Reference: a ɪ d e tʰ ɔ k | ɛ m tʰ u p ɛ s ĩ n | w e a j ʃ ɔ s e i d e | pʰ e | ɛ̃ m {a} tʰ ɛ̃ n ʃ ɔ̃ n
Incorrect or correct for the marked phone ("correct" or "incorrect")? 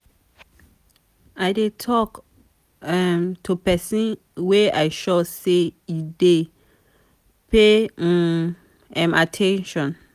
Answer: correct